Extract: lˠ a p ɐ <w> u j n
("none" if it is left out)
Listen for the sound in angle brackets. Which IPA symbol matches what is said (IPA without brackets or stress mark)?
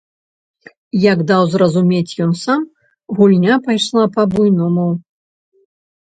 b